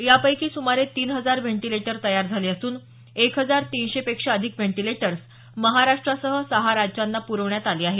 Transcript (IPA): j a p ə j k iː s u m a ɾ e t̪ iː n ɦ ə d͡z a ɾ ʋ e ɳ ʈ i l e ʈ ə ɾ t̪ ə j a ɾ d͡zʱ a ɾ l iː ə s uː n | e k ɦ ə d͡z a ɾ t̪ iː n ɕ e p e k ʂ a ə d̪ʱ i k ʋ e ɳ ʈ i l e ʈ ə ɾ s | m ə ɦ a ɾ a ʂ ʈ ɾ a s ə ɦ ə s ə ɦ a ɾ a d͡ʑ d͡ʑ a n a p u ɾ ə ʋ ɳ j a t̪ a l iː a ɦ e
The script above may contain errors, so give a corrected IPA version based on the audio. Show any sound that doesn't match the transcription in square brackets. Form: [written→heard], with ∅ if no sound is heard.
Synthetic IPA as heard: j a p ə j k iː s u m a ɾ e t̪ iː n ɦ ə d͡z a ɾ ʋ e ɳ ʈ i l e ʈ ə ɾ t̪ ə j a ɾ d͡zʱ a [ɾ→∅] l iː ə s uː n | e k ɦ ə d͡z a ɾ t̪ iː n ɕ e p e k ʂ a ə d̪ʱ i k ʋ e ɳ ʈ i l e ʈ ə ɾ s | m ə ɦ a ɾ a ʂ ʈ ɾ a s ə ɦ ə s ə ɦ a ɾ a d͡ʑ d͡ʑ a [n→nː] a p u ɾ ə ʋ ɳ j a t̪ a l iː a ɦ e